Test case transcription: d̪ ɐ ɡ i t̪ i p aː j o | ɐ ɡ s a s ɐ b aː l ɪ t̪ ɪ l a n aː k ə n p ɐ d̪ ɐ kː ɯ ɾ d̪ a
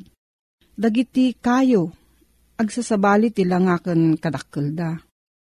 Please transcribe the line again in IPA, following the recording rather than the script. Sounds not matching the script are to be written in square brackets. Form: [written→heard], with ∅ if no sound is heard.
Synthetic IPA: d̪ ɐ ɡ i t̪ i [p→k] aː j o | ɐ ɡ s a s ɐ b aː l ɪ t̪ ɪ l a [n→ŋ] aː k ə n [p→k] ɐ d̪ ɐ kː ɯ [ɾ→l] d̪ a